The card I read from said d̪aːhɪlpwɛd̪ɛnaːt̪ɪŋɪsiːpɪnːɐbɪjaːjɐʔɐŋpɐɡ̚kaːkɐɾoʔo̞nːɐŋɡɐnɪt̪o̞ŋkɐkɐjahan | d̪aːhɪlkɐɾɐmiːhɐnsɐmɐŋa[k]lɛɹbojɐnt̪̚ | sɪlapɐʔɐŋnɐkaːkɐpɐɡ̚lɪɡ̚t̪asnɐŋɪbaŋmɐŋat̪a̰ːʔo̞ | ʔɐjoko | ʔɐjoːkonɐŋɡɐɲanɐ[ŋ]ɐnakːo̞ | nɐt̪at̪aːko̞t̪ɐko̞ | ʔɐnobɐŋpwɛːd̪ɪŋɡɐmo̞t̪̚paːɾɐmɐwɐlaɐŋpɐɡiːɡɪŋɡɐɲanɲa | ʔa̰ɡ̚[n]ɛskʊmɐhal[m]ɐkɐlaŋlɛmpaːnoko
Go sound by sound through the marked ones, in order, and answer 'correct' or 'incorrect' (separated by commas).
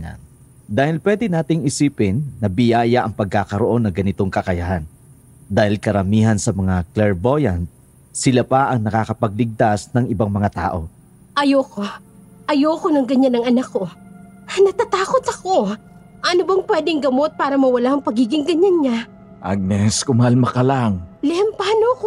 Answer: correct, correct, correct, correct